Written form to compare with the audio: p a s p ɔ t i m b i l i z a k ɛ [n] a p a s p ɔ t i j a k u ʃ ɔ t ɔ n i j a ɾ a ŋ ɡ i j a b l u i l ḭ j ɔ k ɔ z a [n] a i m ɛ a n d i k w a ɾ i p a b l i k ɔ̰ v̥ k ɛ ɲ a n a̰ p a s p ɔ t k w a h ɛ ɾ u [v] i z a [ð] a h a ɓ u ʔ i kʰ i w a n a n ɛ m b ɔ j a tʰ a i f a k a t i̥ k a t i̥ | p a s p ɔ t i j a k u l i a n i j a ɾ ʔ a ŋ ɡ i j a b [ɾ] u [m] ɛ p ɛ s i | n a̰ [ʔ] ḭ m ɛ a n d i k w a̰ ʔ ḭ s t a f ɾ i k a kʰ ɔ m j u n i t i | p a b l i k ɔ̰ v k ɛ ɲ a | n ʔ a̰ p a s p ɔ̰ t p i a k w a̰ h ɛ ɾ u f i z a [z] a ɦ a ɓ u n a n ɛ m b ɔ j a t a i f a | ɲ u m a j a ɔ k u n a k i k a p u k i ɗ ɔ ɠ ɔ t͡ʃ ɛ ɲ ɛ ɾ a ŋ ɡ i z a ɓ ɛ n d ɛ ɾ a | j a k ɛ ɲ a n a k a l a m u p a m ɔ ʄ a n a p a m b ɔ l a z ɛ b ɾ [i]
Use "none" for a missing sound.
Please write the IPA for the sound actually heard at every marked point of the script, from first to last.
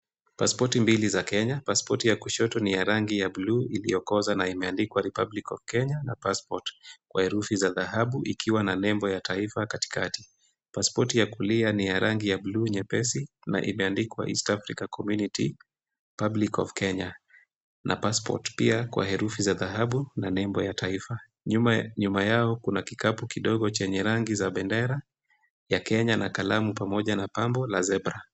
ɲ, n, f, ð, l, ɲ, ʔ, ð, a

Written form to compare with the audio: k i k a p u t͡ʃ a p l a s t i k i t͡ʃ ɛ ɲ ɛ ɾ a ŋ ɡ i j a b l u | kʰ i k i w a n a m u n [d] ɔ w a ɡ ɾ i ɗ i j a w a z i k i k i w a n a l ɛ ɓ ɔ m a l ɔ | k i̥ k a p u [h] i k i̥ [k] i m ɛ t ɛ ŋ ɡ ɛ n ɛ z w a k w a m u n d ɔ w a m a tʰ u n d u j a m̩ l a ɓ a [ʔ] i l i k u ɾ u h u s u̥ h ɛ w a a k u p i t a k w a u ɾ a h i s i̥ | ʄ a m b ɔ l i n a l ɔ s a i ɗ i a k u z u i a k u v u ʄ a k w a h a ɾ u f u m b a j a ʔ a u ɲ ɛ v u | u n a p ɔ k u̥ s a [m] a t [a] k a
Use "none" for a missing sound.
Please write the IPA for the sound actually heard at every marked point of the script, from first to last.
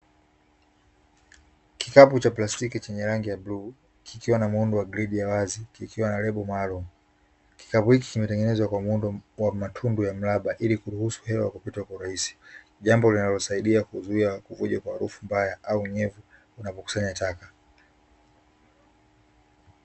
d, h, k, ʔ, ɲ, a

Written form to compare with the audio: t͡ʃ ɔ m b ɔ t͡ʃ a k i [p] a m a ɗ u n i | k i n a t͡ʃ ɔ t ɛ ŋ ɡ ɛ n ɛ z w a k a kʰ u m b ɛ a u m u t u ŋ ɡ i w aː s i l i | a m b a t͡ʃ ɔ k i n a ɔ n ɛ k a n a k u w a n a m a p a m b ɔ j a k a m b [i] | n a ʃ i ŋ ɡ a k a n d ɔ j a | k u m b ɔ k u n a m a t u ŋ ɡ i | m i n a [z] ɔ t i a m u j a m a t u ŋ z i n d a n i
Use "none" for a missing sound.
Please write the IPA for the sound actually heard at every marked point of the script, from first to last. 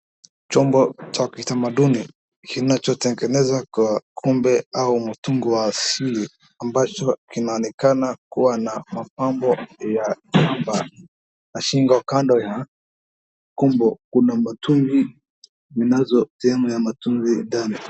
t, a, z

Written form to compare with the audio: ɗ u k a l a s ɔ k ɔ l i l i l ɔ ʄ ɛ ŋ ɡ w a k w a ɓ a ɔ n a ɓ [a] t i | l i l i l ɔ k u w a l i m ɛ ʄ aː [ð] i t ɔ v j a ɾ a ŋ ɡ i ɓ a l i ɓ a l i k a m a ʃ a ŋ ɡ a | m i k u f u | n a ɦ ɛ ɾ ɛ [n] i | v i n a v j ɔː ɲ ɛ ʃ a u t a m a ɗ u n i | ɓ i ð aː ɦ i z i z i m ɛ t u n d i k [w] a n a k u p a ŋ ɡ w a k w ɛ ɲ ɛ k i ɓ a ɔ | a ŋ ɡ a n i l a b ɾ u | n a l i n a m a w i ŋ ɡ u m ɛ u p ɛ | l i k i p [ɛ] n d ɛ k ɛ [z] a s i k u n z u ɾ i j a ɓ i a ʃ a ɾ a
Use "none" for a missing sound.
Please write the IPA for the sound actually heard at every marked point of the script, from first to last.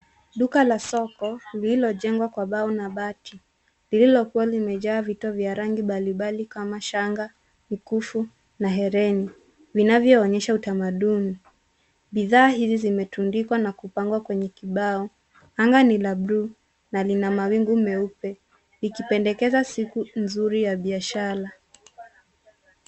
a, v, n, w, ɛ, z

